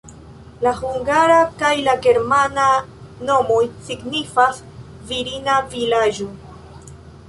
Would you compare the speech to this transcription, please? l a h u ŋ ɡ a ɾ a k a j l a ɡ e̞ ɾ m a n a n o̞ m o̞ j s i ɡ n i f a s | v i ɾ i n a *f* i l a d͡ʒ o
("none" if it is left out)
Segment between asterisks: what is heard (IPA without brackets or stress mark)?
v